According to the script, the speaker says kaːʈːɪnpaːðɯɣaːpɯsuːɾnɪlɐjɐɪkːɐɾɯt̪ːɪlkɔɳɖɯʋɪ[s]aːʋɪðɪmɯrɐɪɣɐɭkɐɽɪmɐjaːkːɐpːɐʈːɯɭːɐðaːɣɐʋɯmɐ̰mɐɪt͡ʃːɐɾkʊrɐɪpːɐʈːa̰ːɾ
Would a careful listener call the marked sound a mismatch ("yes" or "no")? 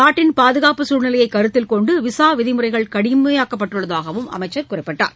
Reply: no